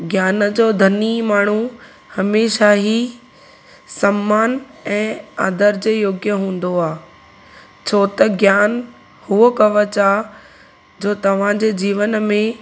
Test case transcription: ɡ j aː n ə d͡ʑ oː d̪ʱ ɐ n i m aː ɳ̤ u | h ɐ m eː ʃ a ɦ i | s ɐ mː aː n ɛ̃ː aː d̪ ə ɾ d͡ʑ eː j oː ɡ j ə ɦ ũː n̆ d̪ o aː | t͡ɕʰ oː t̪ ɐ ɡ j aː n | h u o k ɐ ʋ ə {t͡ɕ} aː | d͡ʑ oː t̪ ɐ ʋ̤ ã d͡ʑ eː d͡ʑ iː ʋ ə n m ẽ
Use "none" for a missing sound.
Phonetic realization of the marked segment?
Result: t͡ɕ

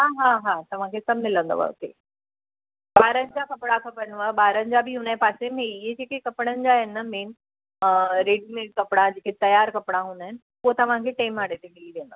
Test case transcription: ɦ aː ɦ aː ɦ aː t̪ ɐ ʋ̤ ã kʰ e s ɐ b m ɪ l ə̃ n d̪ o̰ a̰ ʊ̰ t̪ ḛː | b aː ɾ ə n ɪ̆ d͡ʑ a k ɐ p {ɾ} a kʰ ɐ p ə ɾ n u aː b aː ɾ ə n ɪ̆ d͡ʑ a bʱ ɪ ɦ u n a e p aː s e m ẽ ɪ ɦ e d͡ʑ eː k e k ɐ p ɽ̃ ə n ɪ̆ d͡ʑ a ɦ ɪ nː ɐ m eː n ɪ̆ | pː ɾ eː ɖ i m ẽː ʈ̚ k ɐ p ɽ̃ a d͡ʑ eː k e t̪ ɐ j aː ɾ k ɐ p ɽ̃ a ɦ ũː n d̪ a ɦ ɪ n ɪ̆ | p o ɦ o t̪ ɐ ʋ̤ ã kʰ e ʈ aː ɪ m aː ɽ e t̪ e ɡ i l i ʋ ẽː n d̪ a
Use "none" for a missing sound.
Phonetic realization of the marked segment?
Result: ɽ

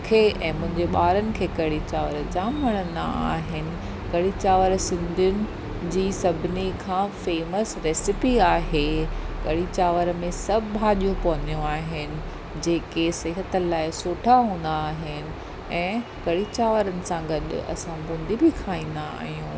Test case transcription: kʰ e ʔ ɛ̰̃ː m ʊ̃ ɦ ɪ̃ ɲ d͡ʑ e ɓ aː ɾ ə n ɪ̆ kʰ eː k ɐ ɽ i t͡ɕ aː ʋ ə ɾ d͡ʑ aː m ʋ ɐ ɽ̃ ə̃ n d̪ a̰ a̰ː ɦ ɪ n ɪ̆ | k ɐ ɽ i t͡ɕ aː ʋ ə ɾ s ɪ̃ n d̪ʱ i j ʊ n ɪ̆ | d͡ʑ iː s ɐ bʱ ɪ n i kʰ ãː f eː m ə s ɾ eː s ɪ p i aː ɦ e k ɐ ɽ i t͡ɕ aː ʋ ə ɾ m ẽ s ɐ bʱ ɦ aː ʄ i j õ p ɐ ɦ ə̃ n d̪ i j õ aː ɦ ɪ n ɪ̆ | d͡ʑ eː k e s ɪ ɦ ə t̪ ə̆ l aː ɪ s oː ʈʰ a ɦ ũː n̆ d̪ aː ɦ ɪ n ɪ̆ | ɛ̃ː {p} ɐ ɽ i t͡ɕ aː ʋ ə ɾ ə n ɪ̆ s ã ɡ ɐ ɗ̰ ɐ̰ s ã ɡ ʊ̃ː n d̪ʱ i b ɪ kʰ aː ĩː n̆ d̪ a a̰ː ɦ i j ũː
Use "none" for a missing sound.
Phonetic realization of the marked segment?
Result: k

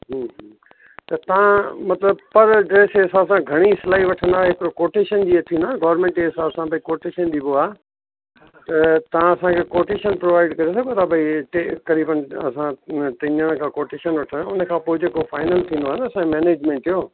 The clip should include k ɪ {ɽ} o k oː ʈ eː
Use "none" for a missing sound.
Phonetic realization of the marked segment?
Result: ɾ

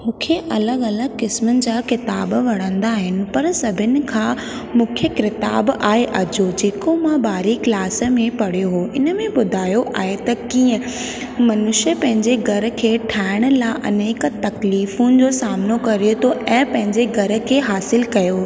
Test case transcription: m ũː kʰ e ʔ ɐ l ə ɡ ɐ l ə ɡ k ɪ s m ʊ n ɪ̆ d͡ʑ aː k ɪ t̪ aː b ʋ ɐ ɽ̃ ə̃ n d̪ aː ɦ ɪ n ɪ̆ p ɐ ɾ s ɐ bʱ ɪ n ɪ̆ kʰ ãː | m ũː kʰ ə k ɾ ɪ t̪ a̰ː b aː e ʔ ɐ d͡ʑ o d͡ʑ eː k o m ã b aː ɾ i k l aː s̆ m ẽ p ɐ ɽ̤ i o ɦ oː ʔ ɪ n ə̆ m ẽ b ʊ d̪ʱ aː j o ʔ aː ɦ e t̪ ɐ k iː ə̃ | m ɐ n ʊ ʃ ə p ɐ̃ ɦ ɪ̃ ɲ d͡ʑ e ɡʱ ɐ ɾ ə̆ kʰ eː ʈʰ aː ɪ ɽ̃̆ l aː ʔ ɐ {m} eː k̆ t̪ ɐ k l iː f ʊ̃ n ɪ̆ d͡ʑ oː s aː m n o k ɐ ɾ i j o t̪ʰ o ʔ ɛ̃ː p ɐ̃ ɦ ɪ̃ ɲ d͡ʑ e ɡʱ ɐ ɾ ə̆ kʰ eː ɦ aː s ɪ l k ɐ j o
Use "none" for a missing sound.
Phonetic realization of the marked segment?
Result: n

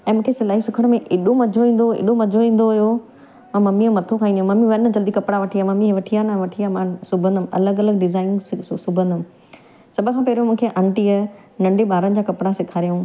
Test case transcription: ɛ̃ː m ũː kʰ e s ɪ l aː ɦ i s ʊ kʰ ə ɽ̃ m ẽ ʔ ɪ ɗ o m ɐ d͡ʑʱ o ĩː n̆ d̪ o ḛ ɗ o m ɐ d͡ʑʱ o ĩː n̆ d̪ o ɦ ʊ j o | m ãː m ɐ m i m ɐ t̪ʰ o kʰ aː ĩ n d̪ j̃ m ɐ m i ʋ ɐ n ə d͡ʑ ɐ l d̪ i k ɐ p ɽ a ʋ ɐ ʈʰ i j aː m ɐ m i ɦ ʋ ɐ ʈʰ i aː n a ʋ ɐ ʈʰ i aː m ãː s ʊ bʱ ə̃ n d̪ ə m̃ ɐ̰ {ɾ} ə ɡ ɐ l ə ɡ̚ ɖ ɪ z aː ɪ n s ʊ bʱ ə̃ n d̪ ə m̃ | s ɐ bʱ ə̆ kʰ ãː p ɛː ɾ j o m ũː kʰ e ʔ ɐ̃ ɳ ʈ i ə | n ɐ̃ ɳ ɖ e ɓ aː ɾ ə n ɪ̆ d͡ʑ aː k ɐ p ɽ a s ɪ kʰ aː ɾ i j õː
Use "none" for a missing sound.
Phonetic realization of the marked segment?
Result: l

